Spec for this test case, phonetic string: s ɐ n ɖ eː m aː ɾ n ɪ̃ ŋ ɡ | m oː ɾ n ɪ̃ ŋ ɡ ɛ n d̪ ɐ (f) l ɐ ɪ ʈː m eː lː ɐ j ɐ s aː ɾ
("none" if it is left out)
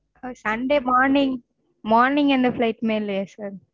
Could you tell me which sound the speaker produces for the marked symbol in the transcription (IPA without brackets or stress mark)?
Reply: f